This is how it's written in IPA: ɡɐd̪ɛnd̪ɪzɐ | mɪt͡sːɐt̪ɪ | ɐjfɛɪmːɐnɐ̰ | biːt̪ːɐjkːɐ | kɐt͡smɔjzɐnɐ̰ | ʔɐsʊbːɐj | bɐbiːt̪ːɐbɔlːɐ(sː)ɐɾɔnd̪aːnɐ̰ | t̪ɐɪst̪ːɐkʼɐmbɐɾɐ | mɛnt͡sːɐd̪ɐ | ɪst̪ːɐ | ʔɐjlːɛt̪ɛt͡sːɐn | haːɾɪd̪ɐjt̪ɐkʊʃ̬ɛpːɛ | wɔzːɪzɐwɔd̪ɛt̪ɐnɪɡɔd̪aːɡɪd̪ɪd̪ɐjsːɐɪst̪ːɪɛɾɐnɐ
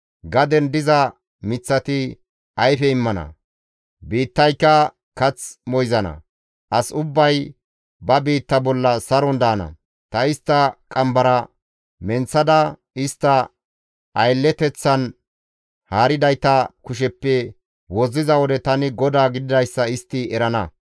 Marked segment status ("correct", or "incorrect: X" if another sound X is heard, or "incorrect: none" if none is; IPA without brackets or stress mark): incorrect: s